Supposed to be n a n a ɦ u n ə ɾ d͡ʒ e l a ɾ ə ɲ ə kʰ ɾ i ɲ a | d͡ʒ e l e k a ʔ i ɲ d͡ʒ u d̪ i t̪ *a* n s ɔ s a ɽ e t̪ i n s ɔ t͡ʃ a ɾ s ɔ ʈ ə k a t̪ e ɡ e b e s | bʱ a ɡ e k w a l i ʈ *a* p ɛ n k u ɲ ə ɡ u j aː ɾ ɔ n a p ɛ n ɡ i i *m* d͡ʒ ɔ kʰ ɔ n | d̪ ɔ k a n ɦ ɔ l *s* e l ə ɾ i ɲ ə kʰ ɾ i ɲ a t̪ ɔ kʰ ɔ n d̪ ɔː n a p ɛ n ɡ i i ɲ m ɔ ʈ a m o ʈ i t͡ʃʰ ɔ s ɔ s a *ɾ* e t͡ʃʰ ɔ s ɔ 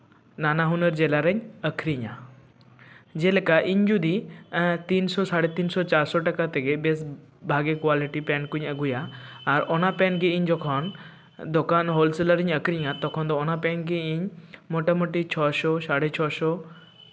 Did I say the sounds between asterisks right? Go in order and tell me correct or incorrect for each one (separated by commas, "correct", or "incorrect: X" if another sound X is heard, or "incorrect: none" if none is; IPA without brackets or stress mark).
incorrect: i, incorrect: i, incorrect: ɲ, correct, incorrect: ɽ